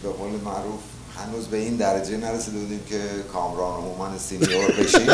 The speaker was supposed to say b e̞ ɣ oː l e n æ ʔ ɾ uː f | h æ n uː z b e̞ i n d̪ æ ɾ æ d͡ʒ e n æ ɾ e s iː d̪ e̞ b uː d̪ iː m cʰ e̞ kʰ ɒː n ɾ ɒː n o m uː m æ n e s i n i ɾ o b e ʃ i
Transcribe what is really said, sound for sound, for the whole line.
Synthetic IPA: b e̞ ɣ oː l e m æ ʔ ɾ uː f | h æ n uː z b e̞ i n d̪ æ ɾ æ d͡ʒ e n æ ɾ e s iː d̪ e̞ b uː d̪ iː m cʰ e̞ kʰ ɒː m ɾ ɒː n o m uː m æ n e s i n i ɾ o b e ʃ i